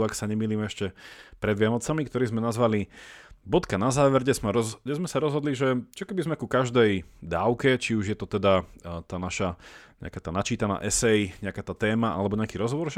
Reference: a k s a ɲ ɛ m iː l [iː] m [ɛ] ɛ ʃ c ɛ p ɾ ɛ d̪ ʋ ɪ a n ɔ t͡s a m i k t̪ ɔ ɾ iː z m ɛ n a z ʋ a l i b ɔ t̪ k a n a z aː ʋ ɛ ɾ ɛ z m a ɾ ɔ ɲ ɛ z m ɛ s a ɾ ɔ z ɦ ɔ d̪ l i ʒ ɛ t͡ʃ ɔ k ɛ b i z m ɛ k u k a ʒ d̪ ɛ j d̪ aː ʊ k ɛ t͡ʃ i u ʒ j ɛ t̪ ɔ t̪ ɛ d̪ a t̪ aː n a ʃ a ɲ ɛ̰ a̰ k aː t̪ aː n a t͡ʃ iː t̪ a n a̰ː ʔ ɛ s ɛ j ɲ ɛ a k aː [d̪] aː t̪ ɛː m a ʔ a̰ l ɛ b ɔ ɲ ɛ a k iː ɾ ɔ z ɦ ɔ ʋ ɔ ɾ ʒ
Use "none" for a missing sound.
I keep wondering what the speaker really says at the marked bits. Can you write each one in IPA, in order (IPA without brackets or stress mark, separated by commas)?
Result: iː, ɛ, t̪